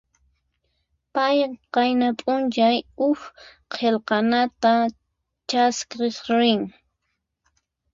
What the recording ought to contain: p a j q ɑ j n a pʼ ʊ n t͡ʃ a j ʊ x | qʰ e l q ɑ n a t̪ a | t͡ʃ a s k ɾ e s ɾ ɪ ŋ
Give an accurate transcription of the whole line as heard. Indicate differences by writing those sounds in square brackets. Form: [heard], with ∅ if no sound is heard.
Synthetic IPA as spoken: p a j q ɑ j n a pʼ ʊ n t͡ʃ a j ʊ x | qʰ e l q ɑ n a t̪ a | t͡ʃ a s k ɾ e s ɾ ɪ ŋ